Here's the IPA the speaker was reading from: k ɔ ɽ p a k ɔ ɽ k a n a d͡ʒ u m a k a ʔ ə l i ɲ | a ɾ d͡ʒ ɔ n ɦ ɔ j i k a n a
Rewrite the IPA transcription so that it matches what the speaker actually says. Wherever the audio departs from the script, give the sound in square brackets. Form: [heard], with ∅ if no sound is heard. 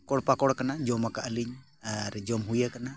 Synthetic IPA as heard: k ɔ ɽ p a k ɔ ɽ k a n a d͡ʒ [ɔ] m a k a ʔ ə l i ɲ | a ɾ d͡ʒ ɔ [m] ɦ [u] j [a] k a n a